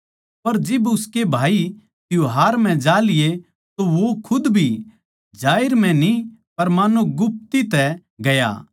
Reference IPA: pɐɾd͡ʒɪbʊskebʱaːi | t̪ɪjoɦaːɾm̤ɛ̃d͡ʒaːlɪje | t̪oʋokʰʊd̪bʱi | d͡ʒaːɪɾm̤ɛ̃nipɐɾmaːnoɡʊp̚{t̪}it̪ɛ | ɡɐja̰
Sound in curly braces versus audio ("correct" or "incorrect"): correct